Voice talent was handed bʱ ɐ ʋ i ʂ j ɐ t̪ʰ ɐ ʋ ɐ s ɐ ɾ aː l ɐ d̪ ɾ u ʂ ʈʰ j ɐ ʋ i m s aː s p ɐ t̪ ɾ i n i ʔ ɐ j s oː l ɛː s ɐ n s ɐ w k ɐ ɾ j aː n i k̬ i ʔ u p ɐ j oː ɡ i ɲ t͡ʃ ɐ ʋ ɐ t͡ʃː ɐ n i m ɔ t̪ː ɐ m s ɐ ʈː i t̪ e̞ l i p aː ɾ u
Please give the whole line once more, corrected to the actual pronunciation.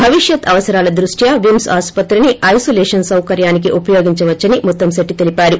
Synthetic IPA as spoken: bʱ ɐ ʋ i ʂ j ɐ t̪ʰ ɐ ʋ ɐ s ɐ ɾ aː l ɐ d̪ ɾ u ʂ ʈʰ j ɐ ʋ i m s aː s p ɐ t̪ ɾ i n i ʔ ɐ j s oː l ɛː ʂ ɐ n s ɐ w k ɐ ɾ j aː n i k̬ i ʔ u p ɐ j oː ɡ i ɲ t͡ʃ ɐ ʋ ɐ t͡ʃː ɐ n i m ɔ t̪ː ɐ m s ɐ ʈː i t̪ e̞ l i p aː ɾ u